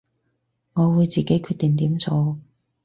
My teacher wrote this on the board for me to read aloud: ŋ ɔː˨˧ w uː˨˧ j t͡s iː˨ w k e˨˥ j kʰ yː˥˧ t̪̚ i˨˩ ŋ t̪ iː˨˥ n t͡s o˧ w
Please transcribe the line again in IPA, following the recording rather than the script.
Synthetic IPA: ŋ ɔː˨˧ w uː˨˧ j t͡s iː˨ k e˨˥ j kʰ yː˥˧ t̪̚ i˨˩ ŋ t̪ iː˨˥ m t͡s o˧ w

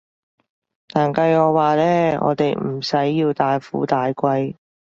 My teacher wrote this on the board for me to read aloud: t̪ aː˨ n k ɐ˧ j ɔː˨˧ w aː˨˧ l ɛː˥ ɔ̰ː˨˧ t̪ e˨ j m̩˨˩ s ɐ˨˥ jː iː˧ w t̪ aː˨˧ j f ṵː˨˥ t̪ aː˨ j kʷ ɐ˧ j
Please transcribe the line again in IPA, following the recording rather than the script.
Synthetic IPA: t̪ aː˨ n k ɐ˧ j ɔː˨˧ w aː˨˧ l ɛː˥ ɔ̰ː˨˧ t̪ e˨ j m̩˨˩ s ɐ˨˥ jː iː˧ w t̪ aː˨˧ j f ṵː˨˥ t̪ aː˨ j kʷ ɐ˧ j

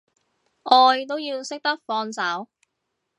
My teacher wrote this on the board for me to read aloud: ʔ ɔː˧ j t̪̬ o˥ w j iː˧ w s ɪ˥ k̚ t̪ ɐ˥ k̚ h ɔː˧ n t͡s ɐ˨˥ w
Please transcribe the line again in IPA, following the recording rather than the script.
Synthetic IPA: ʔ ɔː˧ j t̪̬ o˥ w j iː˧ w s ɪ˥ k̚ t̪ ɐ˥ k̚ f ɔː˧ n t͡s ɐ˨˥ w

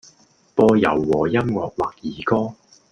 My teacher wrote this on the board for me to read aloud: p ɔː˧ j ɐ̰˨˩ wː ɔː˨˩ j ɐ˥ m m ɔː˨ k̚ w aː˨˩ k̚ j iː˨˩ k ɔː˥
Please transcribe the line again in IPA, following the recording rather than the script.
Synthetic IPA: p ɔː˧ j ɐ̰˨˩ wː ɔː˨˩ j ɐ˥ m ŋ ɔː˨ k̚ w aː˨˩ k̚ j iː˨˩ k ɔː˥

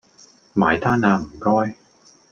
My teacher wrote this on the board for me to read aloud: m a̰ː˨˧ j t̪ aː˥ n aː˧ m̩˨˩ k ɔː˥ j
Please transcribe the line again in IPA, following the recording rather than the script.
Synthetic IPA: m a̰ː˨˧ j t̪ʰ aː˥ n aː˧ m̩˨˩ k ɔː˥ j

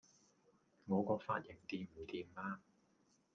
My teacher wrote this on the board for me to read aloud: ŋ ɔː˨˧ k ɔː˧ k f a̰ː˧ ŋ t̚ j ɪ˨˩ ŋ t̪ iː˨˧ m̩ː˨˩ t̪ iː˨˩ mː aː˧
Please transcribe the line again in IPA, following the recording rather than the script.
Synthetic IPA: ŋ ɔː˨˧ k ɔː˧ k f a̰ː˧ t̚ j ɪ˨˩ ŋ t̪ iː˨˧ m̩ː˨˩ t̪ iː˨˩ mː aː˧

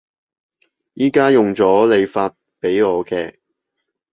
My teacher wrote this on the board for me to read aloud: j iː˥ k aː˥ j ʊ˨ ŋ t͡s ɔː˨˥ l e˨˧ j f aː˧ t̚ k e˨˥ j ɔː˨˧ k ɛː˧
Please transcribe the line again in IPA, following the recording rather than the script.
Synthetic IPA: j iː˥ k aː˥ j ʊ˨ ŋ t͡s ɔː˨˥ l e˨˧ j f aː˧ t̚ p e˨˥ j ɔː˨˧ k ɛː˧

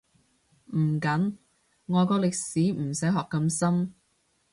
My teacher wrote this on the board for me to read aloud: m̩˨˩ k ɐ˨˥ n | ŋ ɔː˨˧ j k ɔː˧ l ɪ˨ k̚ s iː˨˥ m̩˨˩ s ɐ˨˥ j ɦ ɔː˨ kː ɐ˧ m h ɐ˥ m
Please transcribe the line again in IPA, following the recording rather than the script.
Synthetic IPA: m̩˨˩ k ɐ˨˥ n | ŋ ɔː˨˧ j k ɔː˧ l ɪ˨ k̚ s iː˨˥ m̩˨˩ s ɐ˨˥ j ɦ ɔː˨ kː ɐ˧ m s ɐ˥ m

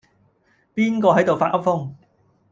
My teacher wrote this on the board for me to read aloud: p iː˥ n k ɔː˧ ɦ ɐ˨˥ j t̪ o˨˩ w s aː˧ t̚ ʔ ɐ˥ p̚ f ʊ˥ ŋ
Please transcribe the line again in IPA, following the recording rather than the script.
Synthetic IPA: p iː˥ n k ɔː˧ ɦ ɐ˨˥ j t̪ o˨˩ w f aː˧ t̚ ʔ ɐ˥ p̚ f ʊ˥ ŋ

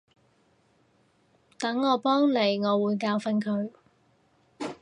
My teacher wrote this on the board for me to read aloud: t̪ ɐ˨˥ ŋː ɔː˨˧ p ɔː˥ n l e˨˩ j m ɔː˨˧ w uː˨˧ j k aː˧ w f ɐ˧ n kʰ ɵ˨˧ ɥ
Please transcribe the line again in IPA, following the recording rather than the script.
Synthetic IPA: t̪ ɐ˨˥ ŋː ɔː˨˧ p ɔː˥ ŋ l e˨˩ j ŋ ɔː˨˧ w uː˨˧ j k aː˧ w f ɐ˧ n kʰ ɵ˨˧ ɥ

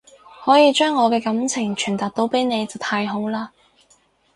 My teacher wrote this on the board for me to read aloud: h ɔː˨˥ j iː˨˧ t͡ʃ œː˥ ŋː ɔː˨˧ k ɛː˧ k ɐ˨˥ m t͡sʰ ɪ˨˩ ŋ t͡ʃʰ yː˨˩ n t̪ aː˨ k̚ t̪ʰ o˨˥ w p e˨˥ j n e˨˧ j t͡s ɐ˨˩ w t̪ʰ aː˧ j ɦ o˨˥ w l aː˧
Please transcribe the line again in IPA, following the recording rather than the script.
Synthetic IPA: h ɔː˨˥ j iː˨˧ t͡ʃ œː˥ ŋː ɔː˨˧ k ɛː˧ k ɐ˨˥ m t͡sʰ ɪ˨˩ ŋ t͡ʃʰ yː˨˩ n t̪ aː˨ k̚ t̪ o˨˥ w p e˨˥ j n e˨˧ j t͡s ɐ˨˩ w t̪ʰ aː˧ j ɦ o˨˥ w l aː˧

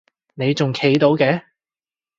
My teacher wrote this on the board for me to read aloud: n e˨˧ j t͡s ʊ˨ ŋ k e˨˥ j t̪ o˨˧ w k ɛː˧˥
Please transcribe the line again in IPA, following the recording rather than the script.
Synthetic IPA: n e˨˧ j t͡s ʊ˨ ŋ kʰ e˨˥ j t̪ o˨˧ w k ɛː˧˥

